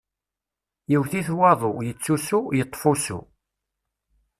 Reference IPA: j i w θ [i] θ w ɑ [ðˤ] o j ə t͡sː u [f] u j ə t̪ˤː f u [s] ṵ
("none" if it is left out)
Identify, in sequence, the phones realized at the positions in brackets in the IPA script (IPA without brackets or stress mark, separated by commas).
i, ðˤ, s, s